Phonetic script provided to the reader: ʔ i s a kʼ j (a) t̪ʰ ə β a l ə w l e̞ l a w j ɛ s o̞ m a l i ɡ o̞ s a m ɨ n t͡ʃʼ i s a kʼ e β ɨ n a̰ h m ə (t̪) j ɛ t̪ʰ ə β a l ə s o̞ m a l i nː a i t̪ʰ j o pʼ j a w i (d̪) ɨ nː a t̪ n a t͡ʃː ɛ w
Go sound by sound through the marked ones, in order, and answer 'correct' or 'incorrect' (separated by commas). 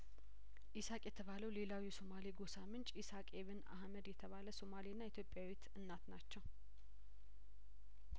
incorrect, incorrect, incorrect